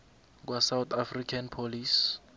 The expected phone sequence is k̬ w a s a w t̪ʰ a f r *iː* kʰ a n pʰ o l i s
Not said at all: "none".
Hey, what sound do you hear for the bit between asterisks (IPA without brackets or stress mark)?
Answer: i